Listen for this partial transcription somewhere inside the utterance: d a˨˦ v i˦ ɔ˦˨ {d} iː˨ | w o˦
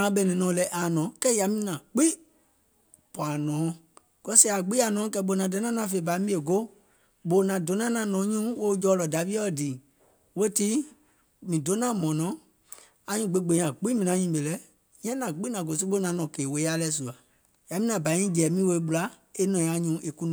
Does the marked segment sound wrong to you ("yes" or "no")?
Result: no